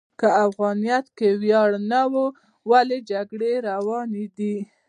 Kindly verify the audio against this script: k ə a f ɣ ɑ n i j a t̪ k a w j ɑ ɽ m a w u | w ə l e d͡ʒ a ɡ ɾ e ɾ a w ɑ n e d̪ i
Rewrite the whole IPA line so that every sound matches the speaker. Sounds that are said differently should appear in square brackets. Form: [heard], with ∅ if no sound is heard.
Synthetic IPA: k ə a f ɣ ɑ n i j a t̪ k [e] w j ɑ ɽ [n] a w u | w [a] l e d͡ʒ a ɡ [ɽ] e ɾ a w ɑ n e d̪ i